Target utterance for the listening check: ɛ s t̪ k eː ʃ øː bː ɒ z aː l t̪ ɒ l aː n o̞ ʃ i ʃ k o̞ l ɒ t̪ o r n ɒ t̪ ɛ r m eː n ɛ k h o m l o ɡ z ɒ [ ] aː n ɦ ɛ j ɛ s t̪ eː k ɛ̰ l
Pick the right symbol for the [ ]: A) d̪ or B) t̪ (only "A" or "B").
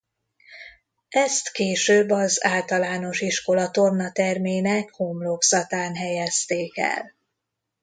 B